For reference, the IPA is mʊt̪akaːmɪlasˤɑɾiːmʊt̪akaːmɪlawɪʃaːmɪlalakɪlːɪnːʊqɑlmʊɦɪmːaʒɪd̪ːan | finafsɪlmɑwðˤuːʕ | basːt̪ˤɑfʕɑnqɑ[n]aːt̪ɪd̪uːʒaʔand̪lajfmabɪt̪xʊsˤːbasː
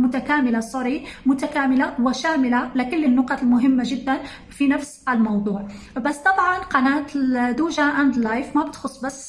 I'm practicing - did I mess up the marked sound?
no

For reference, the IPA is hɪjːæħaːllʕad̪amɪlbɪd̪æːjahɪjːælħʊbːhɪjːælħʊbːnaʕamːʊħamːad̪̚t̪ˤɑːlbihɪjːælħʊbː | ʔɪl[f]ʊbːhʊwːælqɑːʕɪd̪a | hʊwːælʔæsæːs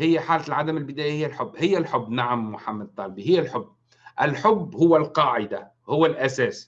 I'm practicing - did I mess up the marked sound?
yes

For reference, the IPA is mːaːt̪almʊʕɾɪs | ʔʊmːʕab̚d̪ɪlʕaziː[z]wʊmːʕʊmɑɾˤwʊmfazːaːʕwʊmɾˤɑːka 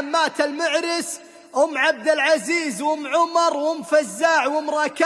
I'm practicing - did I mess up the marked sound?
no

